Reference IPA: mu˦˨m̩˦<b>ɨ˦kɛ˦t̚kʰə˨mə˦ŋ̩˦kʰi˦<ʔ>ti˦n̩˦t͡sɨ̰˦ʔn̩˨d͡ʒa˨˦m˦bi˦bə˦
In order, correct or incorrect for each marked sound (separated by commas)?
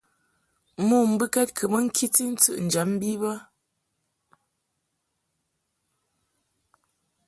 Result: correct, incorrect